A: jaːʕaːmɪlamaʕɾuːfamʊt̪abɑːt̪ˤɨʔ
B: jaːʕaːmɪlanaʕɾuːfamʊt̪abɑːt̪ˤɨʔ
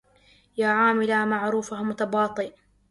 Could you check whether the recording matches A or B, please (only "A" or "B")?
A